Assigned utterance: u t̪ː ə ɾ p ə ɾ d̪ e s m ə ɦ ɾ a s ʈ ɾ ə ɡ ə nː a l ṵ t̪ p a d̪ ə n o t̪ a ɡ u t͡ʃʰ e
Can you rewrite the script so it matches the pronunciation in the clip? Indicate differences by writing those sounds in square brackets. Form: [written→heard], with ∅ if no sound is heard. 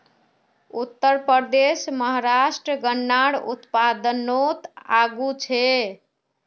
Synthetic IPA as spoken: u t̪ː ə ɾ p ə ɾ d̪ e s m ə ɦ ɾ a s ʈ ɾ ə ɡ ə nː a [l→ɽ] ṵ t̪ p a d̪ ə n o t̪ a ɡ u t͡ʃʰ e